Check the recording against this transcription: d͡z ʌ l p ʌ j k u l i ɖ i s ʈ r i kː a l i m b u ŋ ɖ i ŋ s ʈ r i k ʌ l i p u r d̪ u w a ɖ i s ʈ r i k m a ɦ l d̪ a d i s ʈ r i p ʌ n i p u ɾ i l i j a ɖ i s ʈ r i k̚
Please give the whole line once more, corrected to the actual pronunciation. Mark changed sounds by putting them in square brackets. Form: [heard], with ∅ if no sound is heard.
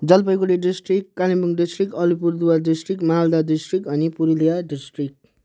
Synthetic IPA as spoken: d͡z ʌ l p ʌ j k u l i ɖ i s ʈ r i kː a l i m b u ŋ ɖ i [∅] s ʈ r i k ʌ l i p u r d̪ u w a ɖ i s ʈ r i k m a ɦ l d̪ a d i s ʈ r i [k] ʌ n i p u ɾ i l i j a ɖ i s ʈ r i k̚